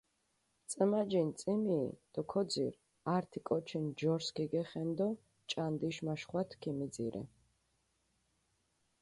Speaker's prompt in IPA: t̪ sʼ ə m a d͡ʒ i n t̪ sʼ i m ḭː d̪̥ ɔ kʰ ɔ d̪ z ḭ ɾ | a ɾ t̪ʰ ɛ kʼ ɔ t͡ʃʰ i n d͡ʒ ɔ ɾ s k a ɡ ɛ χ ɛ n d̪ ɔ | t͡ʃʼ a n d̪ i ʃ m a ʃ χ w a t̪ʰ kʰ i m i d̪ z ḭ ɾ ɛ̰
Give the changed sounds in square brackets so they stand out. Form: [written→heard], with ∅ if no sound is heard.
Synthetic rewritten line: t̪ sʼ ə m a d͡ʒ i n t̪ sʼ i m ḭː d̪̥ ɔ kʰ ɔ d̪ z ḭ ɾ | a ɾ t̪ʰ [ɛ→i] kʼ ɔ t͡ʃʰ i n d͡ʒ ɔ ɾ s k [a→i] ɡ ɛ χ ɛ n d̪ ɔ | t͡ʃʼ a n d̪ i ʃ m a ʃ χ w a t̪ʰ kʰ i m i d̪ z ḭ ɾ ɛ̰

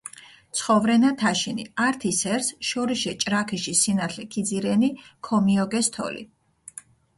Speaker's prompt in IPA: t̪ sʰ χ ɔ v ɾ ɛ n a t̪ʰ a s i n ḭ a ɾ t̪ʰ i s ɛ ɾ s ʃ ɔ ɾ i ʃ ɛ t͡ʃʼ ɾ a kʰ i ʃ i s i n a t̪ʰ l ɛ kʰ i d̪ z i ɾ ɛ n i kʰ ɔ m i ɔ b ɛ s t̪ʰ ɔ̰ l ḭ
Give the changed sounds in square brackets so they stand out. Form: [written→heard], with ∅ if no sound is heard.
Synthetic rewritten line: t̪ sʰ χ ɔ v ɾ ɛ n a t̪ʰ a [s→ʃ] i n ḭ a ɾ t̪ʰ i s ɛ ɾ s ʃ ɔ ɾ i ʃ ɛ t͡ʃʼ ɾ a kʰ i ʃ i s i n a t̪ʰ l ɛ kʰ i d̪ z i ɾ ɛ n i kʰ ɔ m i ɔ [b→ɡ] ɛ s t̪ʰ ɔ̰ l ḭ

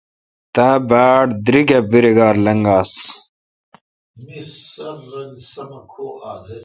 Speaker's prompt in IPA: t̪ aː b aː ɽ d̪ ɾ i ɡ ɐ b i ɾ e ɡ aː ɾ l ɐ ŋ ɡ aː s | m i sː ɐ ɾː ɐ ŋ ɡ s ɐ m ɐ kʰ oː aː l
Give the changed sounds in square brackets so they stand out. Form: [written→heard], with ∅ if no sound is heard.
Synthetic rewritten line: t̪ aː b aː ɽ d̪ ɾ i ɡ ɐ b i ɾ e ɡ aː ɾ l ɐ ŋ ɡ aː s | m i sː ɐ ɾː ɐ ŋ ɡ s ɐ m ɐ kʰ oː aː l

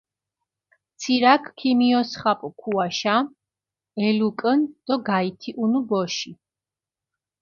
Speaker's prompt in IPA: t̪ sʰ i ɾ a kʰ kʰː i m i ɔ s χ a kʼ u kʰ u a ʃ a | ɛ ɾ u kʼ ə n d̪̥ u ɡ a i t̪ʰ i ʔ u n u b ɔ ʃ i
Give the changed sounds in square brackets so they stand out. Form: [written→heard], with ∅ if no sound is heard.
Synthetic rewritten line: t̪ sʰ i ɾ a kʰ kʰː i m i ɔ s χ a [kʼ→pʼ] u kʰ u a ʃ a | ɛ [ɾ→l] u kʼ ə n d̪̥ [u→ɔ] ɡ a i t̪ʰ i ʔ u n u b ɔ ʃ i

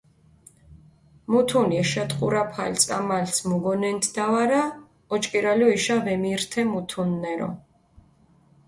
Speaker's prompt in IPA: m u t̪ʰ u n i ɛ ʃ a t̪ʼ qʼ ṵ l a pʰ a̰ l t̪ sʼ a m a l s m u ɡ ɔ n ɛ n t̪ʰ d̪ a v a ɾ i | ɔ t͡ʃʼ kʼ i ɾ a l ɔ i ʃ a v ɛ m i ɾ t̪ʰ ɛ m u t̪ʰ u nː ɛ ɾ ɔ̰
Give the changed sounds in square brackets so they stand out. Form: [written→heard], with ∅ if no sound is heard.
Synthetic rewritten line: m u t̪ʰ u n i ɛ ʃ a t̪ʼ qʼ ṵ [l→ɾ] a pʰ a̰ l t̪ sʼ a m a l s m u ɡ ɔ n ɛ n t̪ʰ d̪ a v a ɾ [i→a] | ɔ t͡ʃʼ kʼ i ɾ a l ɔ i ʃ a v ɛ m i ɾ t̪ʰ ɛ m u t̪ʰ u nː ɛ ɾ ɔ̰

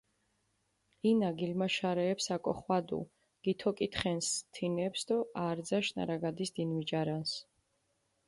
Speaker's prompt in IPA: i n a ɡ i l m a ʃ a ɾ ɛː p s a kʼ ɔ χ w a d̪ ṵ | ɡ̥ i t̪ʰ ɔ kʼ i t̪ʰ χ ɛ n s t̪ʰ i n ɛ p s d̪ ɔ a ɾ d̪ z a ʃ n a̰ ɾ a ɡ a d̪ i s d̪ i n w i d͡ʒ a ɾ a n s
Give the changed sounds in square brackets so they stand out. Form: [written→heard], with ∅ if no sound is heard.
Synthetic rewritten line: i n a ɡ i l m a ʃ a ɾ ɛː p s a kʼ ɔ χ w a d̪ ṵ | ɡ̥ i t̪ʰ ɔ kʼ i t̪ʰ χ ɛ n s t̪ʰ i n ɛ p s d̪ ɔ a ɾ d̪ z a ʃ n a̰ ɾ a ɡ a d̪ i s d̪ i n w i d͡ʒ a ɾ a n s

